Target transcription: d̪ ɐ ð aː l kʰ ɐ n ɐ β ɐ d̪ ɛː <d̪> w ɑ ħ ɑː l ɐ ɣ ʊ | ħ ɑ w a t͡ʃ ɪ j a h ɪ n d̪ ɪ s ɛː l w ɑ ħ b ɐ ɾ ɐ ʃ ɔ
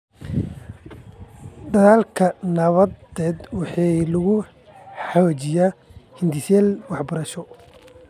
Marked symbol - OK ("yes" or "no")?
yes